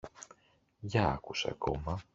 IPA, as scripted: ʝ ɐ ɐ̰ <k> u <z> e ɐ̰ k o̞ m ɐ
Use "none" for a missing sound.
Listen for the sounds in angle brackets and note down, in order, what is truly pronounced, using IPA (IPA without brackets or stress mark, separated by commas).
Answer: k, s